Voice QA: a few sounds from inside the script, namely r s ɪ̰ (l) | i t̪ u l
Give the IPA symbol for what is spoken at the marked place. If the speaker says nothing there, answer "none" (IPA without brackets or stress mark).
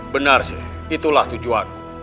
none